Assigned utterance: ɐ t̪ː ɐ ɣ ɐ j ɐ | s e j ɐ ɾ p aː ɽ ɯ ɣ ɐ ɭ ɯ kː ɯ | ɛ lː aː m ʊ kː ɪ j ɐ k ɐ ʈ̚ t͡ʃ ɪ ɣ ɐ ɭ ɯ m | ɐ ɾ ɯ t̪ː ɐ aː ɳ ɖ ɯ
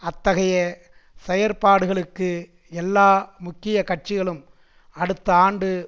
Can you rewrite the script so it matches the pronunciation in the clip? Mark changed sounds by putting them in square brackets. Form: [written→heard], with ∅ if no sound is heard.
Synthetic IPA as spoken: ɐ t̪ː ɐ ɣ ɐ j ɐ | s [e→ɛ] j ɐ ɾ p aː ɽ ɯ ɣ ɐ ɭ ɯ kː ɯ | ɛ lː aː m ʊ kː ɪ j ɐ k ɐ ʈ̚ t͡ʃ ɪ ɣ ɐ ɭ ɯ m | ɐ [ɾ→ɽ] ɯ t̪ː ɐ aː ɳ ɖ ɯ

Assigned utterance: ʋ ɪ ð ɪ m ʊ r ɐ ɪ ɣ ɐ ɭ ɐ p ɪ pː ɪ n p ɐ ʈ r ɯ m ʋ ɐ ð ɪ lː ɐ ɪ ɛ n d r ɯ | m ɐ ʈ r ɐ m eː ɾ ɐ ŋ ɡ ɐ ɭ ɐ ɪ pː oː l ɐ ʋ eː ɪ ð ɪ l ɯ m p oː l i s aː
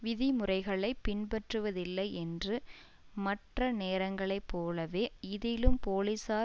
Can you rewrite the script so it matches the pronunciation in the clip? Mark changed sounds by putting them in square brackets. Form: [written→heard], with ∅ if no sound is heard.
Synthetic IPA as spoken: ʋ ɪ ð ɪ m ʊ r ɐ ɪ ɣ ɐ ɭ ɐ [p→∅] ɪ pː ɪ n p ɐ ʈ r ɯ [m→∅] ʋ ɐ ð ɪ lː ɐ ɪ ɛ n d r ɯ | m ɐ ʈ r ɐ [m→n] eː ɾ ɐ ŋ ɡ ɐ ɭ ɐ ɪ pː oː l ɐ ʋ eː ɪ ð ɪ l ɯ m p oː l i s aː

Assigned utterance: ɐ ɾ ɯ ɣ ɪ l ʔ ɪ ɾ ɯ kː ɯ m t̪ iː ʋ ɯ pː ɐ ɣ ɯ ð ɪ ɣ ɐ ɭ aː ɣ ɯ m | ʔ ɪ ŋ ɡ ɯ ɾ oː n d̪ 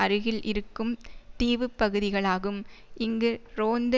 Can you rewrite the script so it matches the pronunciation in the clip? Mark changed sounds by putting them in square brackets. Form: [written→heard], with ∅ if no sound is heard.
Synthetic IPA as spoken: ɐ ɾ ɯ ɣ ɪ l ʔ ɪ ɾ ɯ kː ɯ m t̪ iː ʋ ɯ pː ɐ ɣ ɯ ð ɪ ɣ ɐ ɭ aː ɣ ɯ m | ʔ ɪ ŋ ɡ ɯ ɾ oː n d̪

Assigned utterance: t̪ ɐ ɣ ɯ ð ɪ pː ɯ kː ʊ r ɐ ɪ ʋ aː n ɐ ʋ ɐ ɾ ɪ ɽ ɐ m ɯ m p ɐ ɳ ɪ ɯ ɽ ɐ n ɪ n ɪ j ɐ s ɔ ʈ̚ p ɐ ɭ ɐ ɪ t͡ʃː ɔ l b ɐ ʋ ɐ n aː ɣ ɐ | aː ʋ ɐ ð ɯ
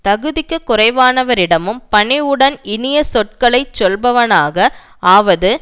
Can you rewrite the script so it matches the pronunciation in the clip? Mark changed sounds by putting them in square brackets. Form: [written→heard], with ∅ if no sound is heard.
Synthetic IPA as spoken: t̪ ɐ ɣ ɯ ð ɪ [pː→kː] ɯ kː ʊ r ɐ ɪ ʋ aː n ɐ ʋ ɐ ɾ ɪ ɽ ɐ m ɯ m p ɐ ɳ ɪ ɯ ɽ ɐ n ɪ n ɪ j ɐ s ɔ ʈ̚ [p→k] ɐ ɭ ɐ ɪ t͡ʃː ɔ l b ɐ ʋ ɐ n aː ɣ ɐ | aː ʋ ɐ ð ɯ

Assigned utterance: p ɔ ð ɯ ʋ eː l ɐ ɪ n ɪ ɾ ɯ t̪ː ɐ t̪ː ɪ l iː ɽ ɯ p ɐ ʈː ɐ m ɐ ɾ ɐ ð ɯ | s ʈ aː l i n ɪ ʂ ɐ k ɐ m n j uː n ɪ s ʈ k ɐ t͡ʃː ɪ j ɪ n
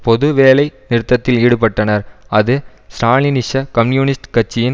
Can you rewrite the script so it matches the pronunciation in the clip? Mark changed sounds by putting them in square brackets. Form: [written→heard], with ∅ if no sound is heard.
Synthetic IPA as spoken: p ɔ ð ɯ ʋ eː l ɐ ɪ n ɪ ɾ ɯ t̪ː ɐ t̪ː ɪ l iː ɽ ɯ p ɐ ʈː ɐ [m→n] ɐ ɾ ɐ ð ɯ | s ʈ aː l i n ɪ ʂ ɐ k ɐ m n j uː n ɪ s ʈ k ɐ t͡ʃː ɪ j ɪ n

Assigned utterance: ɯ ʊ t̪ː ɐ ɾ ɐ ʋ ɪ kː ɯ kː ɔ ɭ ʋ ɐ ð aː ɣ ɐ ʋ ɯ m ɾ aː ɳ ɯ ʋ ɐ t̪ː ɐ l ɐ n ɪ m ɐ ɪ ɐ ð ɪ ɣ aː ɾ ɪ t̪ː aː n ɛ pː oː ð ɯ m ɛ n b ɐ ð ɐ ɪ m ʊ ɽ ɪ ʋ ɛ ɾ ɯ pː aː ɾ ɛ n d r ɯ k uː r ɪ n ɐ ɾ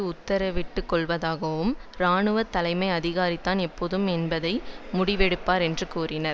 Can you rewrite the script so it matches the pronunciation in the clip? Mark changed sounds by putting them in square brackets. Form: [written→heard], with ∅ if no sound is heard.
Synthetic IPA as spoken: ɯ ʊ t̪ː ɐ ɾ ɐ ʋ ɪ [kː→ʈː] ɯ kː ɔ ɭ ʋ ɐ ð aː ɣ ɐ ʋ ɯ m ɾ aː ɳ ɯ ʋ ɐ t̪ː ɐ l ɐ [n→∅] ɪ m ɐ ɪ ɐ ð ɪ ɣ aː ɾ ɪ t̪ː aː n ɛ pː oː ð ɯ m ɛ n b ɐ ð ɐ ɪ m ʊ ɽ ɪ ʋ ɛ [ɾ→ɽ] ɯ pː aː ɾ ɛ n d r ɯ k uː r ɪ n ɐ ɾ

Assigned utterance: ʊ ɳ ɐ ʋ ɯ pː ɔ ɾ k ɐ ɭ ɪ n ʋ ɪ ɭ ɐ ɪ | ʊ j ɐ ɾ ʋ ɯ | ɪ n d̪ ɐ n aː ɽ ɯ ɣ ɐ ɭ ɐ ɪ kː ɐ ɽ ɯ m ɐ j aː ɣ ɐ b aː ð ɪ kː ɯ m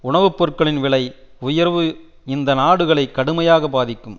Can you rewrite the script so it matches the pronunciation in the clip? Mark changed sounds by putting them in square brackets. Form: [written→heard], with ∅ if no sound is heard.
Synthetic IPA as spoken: ʊ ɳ ɐ ʋ ɯ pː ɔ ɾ k ɐ ɭ ɪ n ʋ ɪ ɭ ɐ ɪ | ʊ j ɐ ɾ ʋ ɯ | ɪ n d̪ ɐ n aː ɽ ɯ ɣ ɐ ɭ ɐ ɪ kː ɐ ɽ ɯ m ɐ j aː ɣ ɐ b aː ð ɪ kː ɯ m

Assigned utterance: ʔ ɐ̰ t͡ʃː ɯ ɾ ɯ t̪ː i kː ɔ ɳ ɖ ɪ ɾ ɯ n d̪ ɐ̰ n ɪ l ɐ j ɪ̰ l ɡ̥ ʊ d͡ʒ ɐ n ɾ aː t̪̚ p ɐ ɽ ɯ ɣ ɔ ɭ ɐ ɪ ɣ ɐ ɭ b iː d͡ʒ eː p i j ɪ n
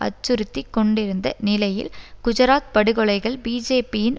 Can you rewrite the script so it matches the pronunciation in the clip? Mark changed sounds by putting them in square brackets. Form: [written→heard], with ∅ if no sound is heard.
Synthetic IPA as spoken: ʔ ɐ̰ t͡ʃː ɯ ɾ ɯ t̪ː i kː ɔ ɳ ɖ ɪ ɾ ɯ n d̪ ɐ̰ n ɪ l ɐ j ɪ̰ l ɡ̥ ʊ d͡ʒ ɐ [n→∅] ɾ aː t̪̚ p ɐ ɽ ɯ ɣ ɔ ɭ ɐ ɪ ɣ ɐ ɭ b iː d͡ʒ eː p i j ɪ n

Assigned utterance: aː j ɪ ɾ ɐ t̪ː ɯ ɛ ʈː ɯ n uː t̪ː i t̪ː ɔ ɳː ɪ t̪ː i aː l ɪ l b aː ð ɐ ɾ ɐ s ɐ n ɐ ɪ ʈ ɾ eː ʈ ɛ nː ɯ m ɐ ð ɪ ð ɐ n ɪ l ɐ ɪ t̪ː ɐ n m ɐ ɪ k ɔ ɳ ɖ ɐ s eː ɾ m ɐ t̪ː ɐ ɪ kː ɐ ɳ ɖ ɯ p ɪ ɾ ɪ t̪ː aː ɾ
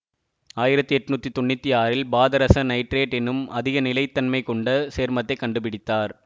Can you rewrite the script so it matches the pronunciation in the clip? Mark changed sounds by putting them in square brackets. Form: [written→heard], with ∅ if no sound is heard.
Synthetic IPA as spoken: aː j ɪ ɾ ɐ t̪ː ɯ ɛ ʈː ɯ n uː t̪ː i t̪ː ɔ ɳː ɪ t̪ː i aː [l→ɾ] ɪ l b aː ð ɐ ɾ ɐ s ɐ n ɐ ɪ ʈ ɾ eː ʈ ɛ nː ɯ m ɐ ð ɪ [ð→ɣ] ɐ n ɪ l ɐ ɪ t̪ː ɐ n m ɐ ɪ k ɔ ɳ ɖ ɐ s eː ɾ m ɐ t̪ː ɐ ɪ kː ɐ ɳ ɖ ɯ p ɪ [ɾ→ɽ] ɪ t̪ː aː ɾ

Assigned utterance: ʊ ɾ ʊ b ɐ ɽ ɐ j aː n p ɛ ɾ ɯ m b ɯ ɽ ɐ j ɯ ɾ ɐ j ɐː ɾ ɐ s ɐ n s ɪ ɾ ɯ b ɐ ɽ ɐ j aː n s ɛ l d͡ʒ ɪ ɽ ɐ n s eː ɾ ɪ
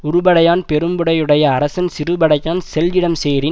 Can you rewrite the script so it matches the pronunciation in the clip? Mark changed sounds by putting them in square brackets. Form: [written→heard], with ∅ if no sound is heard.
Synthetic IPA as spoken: ʊ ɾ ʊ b ɐ ɽ ɐ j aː n p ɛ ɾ ɯ m b ɯ ɽ ɐ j ɯ [ɾ→ɽ] ɐ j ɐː ɾ ɐ s ɐ n s ɪ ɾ ɯ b ɐ ɽ ɐ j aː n s ɛ l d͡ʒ ɪ ɽ ɐ [n→m] s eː ɾ ɪ

